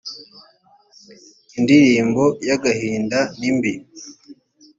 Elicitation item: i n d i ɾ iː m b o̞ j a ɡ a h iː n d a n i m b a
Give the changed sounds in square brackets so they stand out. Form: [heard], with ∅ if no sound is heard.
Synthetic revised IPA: i n d i ɾ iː m b o̞ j a ɡ a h iː n d a n i m b [i]